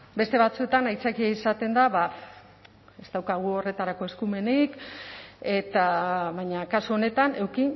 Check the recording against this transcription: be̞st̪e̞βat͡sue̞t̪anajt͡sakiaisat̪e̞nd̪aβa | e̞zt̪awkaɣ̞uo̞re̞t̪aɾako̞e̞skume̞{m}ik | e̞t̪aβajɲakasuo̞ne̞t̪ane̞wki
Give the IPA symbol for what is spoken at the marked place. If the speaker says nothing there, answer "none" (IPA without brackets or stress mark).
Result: n